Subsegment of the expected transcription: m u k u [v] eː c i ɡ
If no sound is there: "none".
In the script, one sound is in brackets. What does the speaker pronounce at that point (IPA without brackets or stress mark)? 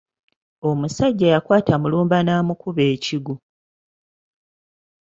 β